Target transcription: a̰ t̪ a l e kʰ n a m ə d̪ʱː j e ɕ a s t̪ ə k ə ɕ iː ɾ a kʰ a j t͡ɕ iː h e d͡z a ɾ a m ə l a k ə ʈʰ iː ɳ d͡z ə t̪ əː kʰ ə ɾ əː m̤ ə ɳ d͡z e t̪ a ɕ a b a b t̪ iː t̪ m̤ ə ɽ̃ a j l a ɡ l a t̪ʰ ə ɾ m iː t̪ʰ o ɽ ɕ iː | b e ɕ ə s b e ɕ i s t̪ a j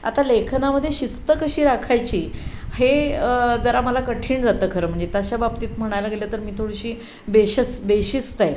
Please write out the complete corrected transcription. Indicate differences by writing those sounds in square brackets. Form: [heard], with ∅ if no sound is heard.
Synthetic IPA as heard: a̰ t̪ a l e kʰ n a m ə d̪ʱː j e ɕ [i] s t̪ ə k ə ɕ iː ɾ a kʰ a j t͡ɕ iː h e d͡z [ə] ɾ a m ə l a k ə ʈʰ iː ɳ d͡z [a] t̪ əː kʰ ə ɾ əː m̤ ə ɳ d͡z e t̪ a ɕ a b a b t̪ iː t̪ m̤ ə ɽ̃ a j l a ɡ l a [t̪] ə ɾ m iː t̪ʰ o ɽ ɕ iː | b e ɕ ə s b e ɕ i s t̪ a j

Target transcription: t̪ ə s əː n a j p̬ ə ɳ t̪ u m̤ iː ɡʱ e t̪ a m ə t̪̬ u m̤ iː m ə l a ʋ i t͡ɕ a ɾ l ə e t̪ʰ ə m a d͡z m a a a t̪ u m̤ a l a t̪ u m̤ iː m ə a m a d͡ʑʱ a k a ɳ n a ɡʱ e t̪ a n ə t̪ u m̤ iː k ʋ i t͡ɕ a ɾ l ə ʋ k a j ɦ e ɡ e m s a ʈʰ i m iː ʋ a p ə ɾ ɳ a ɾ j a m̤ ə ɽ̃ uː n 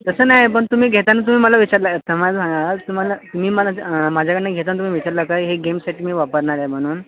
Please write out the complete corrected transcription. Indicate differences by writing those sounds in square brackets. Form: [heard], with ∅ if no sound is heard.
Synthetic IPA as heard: t̪ ə s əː n a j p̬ ə ɳ t̪ u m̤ iː ɡʱ e t̪ a [n] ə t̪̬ u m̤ iː m ə l a ʋ i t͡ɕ a ɾ l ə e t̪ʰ ə m a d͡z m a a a t̪ u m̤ a l a t̪ u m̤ iː m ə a m a d͡ʑʱ a k [ə] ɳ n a ɡʱ e t̪ a n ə t̪ u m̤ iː [∅] ʋ i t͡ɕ a ɾ l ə [∅] k a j ɦ e ɡ e m s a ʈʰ i m iː ʋ a p ə ɾ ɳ a ɾ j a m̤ ə ɽ̃ uː n

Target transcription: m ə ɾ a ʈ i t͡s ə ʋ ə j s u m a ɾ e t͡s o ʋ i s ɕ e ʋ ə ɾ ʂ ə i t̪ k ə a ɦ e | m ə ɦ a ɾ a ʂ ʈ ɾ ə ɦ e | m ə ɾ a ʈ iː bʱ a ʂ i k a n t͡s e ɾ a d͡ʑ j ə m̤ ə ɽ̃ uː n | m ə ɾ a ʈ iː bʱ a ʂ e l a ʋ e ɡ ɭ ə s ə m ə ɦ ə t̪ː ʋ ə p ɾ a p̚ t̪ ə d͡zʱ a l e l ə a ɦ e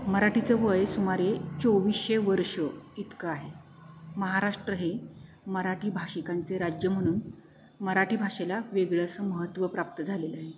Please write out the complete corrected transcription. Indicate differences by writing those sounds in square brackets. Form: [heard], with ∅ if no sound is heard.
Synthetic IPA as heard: m ə ɾ a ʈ i t͡s ə ʋ ə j s u m a ɾ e t͡s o ʋ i s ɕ e ʋ ə ɾ ʂ ə i t̪ k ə a ɦ e | m ə ɦ a ɾ a ʂ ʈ ɾ ə ɦ e | m ə ɾ a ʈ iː bʱ a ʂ i k a n t͡s e ɾ a d͡ʑ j ə m̤ ə ɽ̃ uː n | m ə ɾ a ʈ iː bʱ a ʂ e l a ʋ e ɡ ɭ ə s ə m ə ɦ ə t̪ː ʋ ə p ɾ a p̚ t̪ ə d͡zʱ a l e l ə a ɦ e

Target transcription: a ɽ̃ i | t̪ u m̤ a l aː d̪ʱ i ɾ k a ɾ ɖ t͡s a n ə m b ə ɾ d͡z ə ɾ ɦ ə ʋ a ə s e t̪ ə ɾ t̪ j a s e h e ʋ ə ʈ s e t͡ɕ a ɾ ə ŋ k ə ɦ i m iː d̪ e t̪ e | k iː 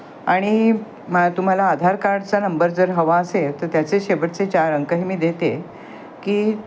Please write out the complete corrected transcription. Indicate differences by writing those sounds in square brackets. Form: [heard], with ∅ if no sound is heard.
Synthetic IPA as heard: a ɽ̃ i | t̪ u m̤ a l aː d̪ʱ [a] ɾ k a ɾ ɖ t͡s a n ə m b ə ɾ d͡z ə ɾ ɦ ə ʋ a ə s e t̪ ə ɾ t̪ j a [t͡s] e [ɕ] e ʋ ə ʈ [t͡s] e t͡ɕ a ɾ ə ŋ k ə ɦ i m iː d̪ e t̪ e | k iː

